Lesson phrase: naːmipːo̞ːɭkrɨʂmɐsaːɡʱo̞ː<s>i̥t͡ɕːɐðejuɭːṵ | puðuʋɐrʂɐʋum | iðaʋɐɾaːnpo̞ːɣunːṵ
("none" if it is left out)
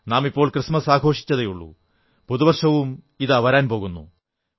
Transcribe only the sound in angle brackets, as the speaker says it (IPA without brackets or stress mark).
ʂ